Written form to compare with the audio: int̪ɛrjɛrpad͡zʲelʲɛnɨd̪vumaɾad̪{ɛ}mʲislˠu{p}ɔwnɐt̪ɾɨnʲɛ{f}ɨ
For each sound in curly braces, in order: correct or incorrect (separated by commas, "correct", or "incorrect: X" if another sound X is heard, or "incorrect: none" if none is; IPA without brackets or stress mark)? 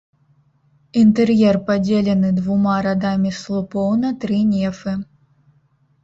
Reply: incorrect: a, correct, correct